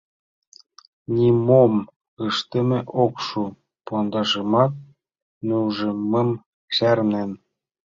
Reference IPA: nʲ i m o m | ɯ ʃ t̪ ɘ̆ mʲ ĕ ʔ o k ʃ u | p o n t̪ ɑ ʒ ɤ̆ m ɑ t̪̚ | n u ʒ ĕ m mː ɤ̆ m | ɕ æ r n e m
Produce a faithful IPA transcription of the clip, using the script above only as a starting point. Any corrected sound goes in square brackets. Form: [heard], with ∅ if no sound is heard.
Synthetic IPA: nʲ i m o m | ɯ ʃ t̪ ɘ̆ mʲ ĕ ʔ o k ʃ u | p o n [d̪] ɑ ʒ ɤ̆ m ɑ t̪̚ | n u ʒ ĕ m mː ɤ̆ m | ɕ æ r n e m